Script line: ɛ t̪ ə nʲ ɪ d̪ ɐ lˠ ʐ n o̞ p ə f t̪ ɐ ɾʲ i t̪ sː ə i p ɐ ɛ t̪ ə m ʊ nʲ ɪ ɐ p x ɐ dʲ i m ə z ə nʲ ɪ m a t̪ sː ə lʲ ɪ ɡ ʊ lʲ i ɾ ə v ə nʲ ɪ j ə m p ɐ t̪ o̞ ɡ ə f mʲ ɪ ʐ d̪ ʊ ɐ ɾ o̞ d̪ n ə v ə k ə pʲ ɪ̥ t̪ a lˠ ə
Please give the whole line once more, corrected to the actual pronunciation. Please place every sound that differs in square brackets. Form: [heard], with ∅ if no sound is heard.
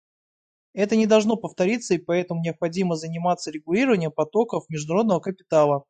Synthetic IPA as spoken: ɛ t̪ ə nʲ ɪ d̪ ɐ lˠ ʐ n o̞ p ə f t̪ ɐ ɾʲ i t̪ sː ə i p ɐ ɛ t̪ ə m ʊ nʲ ɪ ɐ p x ɐ dʲ i m ə z ə nʲ ɪ m a t̪ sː ə [ɾʲ] ɪ ɡ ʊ lʲ i ɾ ə v ə nʲ ɪ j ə m p ɐ t̪ o̞ [k] ə f mʲ ɪ ʐ d̪ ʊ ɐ ɾ o̞ d̪ n ə v ə k ə pʲ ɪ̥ t̪ a lˠ ə